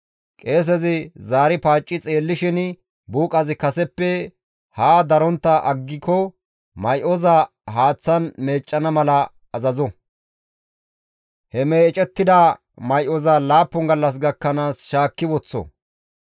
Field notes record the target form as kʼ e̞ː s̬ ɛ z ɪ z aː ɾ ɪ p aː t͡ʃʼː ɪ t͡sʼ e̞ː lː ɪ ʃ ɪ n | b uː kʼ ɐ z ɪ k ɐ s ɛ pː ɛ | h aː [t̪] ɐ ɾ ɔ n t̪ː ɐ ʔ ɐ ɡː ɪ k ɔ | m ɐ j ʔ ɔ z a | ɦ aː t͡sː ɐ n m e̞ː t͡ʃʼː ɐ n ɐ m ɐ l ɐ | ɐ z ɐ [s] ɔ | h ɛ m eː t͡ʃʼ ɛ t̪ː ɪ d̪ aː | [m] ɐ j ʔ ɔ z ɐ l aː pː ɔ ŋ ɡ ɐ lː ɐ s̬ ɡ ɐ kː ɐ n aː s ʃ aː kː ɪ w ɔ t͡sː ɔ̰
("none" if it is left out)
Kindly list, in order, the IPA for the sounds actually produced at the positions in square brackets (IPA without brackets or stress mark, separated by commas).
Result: d̪, z, m